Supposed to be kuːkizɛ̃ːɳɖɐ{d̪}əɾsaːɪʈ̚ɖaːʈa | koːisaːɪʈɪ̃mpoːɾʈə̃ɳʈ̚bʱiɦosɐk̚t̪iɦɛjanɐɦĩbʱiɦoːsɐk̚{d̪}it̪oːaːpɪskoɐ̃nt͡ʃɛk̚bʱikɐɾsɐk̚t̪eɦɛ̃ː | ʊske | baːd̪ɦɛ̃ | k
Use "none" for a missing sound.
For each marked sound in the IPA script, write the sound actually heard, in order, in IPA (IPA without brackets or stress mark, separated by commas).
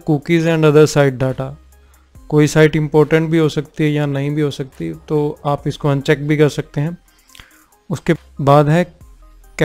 d̪, t̪